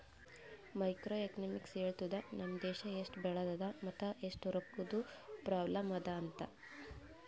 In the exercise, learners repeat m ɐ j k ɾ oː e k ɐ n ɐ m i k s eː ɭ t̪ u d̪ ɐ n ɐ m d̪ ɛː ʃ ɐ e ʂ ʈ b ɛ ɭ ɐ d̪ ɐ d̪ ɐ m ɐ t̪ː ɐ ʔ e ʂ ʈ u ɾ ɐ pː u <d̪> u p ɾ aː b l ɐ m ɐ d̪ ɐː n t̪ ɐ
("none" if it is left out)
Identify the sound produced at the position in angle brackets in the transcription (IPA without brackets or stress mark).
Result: d̪